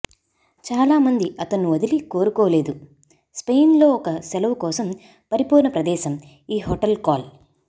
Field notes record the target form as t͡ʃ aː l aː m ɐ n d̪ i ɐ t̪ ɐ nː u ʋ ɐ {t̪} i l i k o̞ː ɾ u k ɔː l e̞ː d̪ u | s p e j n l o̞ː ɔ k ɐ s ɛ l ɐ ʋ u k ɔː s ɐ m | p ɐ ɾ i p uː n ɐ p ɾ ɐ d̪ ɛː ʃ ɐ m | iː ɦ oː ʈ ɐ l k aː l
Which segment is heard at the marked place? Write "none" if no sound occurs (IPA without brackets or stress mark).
d̪